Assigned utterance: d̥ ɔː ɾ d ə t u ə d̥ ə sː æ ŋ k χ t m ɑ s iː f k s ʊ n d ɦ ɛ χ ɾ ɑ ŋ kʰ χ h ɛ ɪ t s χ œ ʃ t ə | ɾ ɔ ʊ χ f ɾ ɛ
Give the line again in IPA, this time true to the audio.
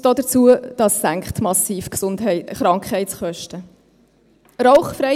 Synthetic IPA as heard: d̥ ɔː d ə t͡s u ə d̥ ɑ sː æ ŋ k χ t m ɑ s iː f k s ʊ n d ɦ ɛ χ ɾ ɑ ŋ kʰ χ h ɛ ɪ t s χ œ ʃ t ə | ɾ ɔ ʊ χ f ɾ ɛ